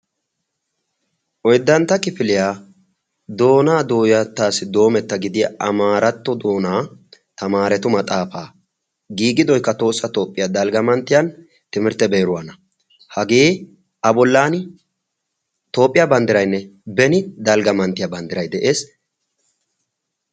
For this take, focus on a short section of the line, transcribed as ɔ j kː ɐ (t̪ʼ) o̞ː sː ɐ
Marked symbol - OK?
no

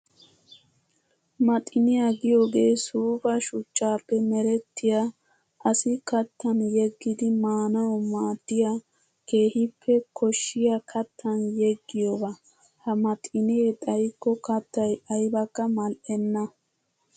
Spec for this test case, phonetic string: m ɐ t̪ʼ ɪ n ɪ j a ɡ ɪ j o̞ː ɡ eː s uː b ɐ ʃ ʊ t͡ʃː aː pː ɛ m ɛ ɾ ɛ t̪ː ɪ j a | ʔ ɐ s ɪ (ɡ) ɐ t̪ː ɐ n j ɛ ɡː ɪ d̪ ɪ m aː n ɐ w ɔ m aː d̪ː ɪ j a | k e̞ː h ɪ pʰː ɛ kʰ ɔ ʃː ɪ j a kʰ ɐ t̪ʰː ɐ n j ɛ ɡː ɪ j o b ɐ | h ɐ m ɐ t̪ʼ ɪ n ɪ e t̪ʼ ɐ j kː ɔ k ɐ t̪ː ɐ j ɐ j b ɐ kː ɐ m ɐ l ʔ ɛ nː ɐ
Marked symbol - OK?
no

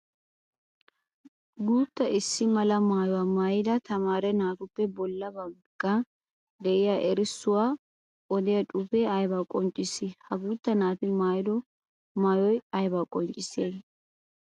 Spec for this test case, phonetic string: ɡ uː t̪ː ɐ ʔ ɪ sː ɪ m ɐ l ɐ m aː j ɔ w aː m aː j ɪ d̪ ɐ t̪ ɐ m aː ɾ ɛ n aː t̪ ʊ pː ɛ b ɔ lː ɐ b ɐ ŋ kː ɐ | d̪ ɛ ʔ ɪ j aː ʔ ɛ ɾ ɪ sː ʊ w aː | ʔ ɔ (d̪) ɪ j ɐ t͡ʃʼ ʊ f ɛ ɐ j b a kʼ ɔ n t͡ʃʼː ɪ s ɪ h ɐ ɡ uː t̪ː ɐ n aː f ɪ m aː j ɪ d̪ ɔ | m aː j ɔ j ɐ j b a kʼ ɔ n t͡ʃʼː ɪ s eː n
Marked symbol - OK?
yes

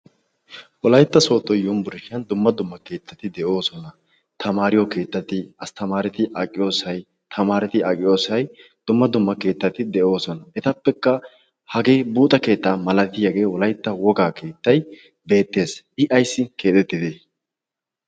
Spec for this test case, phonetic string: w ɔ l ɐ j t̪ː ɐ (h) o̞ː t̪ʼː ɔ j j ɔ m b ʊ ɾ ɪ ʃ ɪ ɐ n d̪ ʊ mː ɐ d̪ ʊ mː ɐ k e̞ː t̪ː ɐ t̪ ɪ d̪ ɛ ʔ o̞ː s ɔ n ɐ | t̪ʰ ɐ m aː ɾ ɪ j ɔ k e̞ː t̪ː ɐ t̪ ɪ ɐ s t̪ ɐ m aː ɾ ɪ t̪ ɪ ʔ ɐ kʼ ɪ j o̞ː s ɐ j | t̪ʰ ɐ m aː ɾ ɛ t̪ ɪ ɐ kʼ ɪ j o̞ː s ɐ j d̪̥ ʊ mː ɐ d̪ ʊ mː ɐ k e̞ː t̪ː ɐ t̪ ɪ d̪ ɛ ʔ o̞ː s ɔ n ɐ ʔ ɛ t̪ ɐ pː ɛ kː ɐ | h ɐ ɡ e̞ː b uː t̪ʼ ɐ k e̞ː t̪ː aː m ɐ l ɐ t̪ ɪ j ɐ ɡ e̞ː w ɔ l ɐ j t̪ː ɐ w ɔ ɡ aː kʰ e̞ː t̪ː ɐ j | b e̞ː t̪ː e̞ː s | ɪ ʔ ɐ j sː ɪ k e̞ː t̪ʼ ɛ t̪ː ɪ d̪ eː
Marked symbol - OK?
no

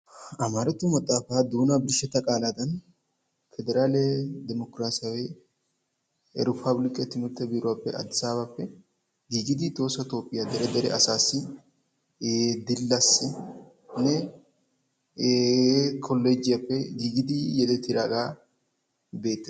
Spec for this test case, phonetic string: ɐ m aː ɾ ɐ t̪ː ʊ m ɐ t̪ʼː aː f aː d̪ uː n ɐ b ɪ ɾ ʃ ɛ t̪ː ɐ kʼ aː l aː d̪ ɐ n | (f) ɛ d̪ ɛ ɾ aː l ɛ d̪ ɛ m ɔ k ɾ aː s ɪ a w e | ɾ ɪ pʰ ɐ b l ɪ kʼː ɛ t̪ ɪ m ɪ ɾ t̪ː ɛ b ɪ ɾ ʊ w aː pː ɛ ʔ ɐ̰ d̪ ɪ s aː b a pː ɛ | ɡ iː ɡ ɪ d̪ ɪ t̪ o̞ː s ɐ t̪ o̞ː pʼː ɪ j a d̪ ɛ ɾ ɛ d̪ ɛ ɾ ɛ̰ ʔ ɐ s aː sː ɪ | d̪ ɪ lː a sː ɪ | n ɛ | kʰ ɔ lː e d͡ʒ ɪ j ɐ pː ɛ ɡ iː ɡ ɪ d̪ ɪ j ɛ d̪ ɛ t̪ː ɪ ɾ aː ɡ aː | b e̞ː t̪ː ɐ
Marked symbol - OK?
yes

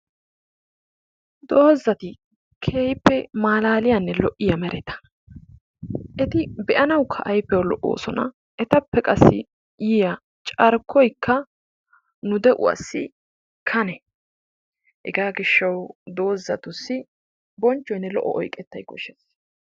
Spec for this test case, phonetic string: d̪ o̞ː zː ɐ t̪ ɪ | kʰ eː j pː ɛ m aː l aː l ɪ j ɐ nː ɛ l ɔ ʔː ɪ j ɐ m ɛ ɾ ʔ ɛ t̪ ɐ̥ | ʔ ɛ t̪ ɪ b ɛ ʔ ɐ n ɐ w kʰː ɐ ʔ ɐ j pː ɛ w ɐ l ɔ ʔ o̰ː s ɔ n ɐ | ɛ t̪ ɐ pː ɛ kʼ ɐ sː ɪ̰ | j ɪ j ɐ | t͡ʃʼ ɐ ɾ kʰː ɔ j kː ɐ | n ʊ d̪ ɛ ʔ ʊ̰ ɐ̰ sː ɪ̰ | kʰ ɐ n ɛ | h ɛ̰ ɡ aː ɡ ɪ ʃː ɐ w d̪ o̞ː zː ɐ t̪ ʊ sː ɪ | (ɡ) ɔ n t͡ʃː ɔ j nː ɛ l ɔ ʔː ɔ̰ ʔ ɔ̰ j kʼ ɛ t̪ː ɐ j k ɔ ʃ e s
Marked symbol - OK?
no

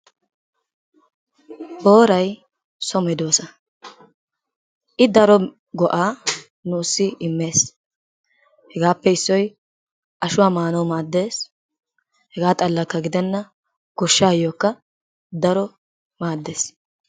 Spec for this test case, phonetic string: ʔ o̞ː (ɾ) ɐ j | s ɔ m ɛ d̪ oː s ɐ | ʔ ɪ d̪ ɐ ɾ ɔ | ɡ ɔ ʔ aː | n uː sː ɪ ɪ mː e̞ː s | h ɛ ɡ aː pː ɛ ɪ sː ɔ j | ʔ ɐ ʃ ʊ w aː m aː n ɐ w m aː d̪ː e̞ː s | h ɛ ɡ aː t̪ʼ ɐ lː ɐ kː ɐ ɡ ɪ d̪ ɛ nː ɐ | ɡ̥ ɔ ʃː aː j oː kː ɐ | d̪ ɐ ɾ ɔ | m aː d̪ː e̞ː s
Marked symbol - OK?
yes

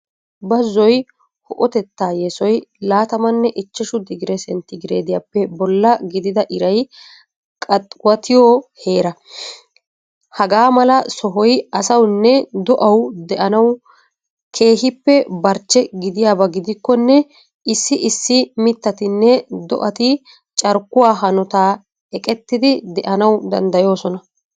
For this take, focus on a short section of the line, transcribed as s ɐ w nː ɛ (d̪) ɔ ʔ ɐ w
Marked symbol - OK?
yes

